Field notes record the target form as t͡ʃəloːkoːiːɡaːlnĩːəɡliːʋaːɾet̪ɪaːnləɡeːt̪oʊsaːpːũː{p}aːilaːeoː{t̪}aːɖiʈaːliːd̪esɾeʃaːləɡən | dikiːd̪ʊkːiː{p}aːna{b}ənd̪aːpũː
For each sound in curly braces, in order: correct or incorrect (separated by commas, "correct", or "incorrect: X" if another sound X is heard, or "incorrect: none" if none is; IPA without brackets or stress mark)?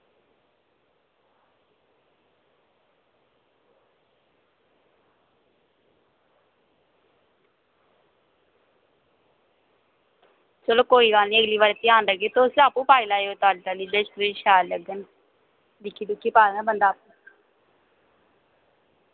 correct, correct, correct, correct